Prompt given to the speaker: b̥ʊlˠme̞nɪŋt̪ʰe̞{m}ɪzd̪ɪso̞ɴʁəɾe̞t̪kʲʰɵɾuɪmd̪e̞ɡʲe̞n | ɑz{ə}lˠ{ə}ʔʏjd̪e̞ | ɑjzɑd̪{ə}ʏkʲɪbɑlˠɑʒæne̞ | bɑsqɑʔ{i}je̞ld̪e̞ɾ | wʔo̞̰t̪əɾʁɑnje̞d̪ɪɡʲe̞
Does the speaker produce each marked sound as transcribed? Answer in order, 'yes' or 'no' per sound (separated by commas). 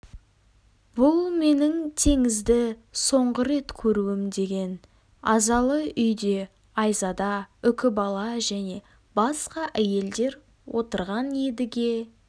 no, no, yes, no, no